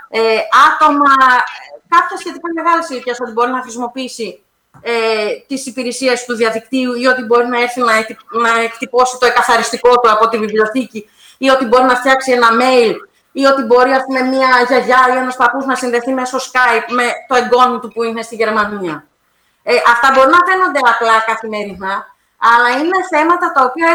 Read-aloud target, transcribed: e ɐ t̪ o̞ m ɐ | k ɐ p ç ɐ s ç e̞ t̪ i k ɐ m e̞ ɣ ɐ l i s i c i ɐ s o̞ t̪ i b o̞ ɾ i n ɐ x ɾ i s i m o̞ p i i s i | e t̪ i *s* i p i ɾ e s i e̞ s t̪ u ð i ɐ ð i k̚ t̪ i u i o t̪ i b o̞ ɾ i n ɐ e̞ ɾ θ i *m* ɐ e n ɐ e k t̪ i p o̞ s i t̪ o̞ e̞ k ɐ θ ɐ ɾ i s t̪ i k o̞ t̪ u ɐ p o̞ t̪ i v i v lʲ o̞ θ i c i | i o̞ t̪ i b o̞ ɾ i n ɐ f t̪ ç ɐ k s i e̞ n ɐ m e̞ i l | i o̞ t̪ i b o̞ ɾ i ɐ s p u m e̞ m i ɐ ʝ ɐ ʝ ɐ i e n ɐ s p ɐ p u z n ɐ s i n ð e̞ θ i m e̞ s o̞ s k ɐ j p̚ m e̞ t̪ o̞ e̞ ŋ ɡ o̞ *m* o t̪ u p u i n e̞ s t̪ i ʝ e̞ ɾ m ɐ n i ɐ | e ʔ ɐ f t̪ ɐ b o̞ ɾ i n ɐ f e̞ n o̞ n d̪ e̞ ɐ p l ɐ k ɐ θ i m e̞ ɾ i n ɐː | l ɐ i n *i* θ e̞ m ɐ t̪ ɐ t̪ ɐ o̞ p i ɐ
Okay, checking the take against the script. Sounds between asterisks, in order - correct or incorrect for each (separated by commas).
correct, incorrect, incorrect, incorrect